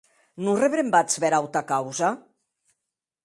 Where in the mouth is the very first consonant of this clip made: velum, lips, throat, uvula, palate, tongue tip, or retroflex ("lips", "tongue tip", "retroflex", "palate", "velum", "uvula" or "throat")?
tongue tip